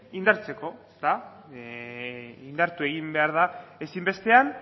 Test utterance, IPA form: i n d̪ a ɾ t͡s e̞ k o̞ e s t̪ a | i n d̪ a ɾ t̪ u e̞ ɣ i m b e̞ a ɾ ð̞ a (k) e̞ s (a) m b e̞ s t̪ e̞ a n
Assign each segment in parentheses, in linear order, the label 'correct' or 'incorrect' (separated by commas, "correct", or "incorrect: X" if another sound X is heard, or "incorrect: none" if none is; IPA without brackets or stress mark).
incorrect: none, incorrect: i